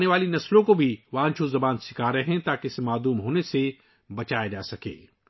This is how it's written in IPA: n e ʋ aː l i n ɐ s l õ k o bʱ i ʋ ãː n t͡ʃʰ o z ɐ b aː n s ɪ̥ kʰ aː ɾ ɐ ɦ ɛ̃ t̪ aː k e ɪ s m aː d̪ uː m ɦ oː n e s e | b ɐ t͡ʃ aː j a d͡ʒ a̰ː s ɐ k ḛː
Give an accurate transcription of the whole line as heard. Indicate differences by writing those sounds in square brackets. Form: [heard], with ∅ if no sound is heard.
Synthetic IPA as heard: n e ʋ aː l i n ɐ s l õ k o bʱ i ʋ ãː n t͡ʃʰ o z ɐ b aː n s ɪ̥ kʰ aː ɾ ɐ ɦ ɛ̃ t̪ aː k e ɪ s m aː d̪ uː m ɦ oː n e s e | b ɐ t͡ʃ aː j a d͡ʒ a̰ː s ɐ k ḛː